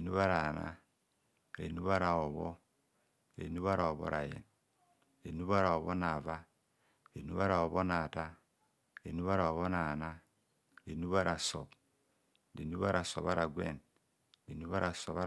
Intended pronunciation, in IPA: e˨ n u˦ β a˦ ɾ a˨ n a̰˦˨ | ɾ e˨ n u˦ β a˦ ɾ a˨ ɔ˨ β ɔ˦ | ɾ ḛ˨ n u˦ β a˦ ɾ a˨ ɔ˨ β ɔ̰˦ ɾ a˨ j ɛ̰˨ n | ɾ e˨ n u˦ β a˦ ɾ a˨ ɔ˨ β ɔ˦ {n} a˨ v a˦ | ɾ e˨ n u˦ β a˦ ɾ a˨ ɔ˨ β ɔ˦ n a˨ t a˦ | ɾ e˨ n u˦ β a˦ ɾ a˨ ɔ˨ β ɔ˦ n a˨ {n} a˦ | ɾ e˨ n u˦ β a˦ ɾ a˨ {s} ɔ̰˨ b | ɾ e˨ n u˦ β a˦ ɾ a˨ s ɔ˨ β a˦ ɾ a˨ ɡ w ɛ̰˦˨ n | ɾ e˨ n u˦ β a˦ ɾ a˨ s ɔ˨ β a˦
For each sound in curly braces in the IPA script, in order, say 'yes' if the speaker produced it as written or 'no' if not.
yes, yes, yes

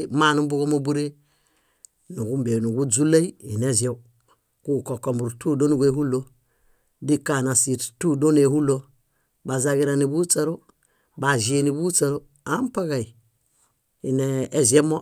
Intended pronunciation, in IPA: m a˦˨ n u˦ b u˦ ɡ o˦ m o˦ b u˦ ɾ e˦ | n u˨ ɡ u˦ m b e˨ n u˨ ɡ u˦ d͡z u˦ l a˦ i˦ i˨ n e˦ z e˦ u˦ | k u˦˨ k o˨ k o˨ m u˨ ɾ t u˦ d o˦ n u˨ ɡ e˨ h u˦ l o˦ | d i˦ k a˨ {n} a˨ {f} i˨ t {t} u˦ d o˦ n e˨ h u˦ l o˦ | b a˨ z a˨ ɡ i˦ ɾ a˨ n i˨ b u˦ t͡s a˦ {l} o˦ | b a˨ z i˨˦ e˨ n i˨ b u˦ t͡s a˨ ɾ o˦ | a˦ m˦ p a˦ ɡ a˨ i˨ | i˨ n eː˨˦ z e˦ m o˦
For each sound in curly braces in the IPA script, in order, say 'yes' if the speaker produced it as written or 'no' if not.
yes, no, yes, no

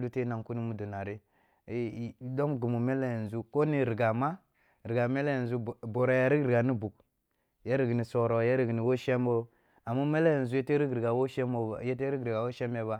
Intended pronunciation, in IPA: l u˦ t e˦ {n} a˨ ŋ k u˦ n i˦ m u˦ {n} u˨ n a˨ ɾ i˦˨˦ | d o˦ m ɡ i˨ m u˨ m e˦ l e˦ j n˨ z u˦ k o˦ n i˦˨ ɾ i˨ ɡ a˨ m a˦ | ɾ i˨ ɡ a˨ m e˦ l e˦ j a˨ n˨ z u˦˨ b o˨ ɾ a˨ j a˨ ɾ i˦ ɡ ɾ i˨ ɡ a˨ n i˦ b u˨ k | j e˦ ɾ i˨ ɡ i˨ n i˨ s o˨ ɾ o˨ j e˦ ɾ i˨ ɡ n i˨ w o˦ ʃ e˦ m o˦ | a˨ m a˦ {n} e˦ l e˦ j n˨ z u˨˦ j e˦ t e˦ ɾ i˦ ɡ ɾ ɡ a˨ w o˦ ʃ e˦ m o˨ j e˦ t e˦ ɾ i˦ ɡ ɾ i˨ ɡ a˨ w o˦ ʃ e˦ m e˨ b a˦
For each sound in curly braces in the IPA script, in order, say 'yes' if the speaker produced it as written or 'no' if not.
yes, no, no

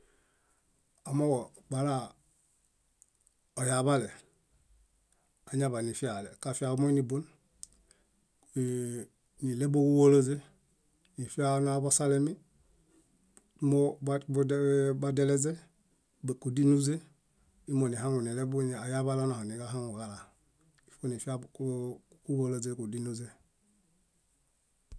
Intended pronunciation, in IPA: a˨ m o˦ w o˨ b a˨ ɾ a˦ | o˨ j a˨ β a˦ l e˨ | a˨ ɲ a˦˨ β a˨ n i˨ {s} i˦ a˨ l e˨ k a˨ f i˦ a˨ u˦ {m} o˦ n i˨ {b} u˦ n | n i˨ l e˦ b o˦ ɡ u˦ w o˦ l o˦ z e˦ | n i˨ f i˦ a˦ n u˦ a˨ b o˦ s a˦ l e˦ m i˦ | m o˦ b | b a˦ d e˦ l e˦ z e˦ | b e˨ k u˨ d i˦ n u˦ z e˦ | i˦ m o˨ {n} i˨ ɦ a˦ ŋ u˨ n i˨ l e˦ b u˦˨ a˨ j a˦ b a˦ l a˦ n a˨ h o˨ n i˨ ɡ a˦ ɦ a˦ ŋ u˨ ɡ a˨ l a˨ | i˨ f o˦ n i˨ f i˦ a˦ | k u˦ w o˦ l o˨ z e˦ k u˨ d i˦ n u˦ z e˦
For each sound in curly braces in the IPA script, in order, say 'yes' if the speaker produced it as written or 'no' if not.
no, yes, yes, yes

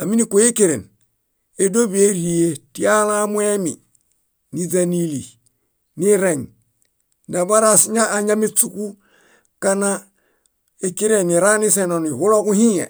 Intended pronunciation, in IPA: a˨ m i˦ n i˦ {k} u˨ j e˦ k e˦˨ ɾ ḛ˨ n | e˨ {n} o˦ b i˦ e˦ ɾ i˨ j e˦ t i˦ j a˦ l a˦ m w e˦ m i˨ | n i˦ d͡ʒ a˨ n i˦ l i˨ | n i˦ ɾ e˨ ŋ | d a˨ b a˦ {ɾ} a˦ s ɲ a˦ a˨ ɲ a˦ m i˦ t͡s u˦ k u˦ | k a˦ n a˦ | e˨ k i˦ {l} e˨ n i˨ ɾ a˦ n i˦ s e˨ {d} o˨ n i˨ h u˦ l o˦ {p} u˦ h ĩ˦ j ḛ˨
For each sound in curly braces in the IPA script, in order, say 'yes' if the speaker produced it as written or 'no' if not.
yes, no, yes, no, no, no

